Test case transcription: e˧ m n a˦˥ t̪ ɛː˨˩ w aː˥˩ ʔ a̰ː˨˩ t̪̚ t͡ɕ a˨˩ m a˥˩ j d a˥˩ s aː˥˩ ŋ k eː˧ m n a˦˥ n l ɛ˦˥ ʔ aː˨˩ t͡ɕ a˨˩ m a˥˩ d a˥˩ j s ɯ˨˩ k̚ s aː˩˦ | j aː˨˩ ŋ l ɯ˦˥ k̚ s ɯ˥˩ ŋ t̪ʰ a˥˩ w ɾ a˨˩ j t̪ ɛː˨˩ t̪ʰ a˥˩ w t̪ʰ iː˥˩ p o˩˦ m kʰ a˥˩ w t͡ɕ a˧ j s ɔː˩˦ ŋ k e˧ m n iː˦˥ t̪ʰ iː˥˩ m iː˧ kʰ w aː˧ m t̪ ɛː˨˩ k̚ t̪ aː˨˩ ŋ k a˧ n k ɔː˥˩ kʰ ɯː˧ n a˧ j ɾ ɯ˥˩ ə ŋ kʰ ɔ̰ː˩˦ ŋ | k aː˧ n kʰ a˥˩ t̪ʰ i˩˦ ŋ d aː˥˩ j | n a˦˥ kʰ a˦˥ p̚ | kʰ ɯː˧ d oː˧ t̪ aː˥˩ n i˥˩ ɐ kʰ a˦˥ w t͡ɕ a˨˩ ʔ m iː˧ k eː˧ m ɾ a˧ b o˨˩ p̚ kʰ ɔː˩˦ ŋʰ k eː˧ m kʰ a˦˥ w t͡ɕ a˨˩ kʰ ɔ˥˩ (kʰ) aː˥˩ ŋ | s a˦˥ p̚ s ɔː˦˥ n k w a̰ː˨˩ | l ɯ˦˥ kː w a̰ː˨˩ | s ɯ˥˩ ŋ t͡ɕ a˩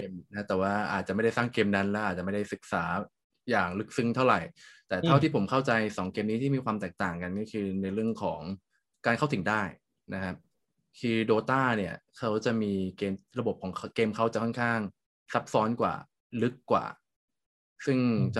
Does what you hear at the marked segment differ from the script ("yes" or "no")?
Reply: no